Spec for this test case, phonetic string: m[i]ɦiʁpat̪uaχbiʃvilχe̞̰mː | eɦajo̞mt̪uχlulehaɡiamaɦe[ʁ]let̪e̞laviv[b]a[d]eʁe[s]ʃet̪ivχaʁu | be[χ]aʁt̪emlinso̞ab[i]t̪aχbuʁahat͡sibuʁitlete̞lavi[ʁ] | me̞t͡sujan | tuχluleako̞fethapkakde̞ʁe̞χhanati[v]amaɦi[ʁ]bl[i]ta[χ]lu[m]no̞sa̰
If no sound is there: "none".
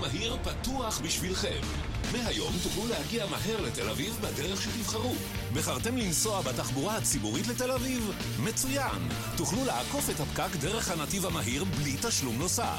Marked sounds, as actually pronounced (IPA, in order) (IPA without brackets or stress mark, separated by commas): a, ʁ, b, d, χ, χ, a, v, v, ʁ, i, ʃ, m